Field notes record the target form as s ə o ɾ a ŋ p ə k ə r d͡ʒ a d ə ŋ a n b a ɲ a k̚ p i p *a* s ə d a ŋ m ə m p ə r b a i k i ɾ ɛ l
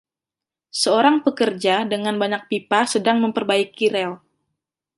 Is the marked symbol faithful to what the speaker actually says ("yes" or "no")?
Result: yes